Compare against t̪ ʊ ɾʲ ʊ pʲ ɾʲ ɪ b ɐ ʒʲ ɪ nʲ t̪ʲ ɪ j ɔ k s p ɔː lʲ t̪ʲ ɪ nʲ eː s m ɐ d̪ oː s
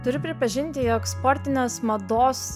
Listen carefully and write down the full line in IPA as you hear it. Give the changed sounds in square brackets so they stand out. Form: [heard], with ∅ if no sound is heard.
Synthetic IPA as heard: t̪ ʊ ɾʲ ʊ pʲ ɾʲ ɪ [p] ɐ ʒʲ ɪ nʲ t̪ʲ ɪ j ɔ k s p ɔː [ɾʲ] t̪ʲ ɪ nʲ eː s m ɐ d̪ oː s